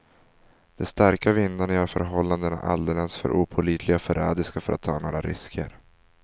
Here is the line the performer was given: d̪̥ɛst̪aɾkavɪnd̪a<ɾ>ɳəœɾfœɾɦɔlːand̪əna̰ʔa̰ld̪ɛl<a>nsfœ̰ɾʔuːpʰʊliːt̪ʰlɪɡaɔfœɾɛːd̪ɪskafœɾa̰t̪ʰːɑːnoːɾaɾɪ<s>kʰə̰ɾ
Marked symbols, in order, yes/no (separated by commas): no, no, yes